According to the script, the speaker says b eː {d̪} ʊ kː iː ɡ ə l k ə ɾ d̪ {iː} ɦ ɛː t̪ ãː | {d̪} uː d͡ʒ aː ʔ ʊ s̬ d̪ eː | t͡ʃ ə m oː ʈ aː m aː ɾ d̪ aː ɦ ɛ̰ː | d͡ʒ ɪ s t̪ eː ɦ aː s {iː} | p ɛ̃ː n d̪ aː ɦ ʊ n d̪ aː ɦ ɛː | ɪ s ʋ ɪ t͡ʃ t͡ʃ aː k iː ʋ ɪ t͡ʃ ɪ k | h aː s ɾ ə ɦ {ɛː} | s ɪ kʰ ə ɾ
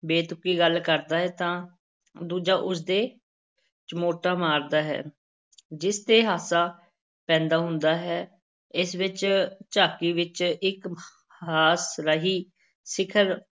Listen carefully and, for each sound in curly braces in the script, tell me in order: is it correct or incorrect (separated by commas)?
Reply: incorrect, incorrect, correct, incorrect, incorrect